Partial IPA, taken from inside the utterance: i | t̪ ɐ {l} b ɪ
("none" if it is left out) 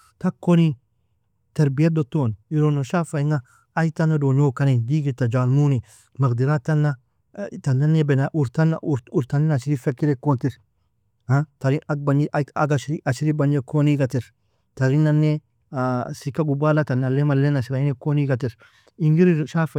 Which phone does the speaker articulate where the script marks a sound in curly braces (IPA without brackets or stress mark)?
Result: ɾ